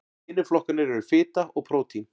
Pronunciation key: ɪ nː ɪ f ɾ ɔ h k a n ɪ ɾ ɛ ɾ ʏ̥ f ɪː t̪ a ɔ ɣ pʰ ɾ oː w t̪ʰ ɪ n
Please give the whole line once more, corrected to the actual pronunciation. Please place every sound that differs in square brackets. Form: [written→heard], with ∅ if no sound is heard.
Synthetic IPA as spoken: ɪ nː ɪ f [ɾ→l] ɔ h k a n ɪ ɾ ɛ ɾ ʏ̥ f ɪː t̪ a ɔ ɣ pʰ ɾ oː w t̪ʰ [ɪ→i] n